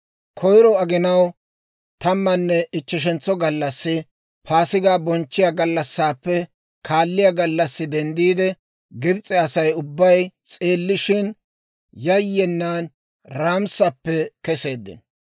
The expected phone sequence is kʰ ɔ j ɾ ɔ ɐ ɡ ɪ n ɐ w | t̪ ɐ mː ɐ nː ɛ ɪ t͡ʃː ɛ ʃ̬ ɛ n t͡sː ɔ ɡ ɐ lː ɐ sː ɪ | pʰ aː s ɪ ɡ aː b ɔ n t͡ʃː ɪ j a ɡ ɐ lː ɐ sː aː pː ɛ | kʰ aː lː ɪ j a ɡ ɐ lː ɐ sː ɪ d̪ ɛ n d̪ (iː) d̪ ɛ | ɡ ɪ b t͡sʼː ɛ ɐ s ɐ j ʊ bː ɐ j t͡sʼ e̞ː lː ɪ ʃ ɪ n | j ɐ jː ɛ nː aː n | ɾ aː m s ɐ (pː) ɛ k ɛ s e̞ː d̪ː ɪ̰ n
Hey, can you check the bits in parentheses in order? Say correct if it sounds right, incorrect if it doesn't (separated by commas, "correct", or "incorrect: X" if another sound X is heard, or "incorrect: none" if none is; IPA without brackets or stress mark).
correct, correct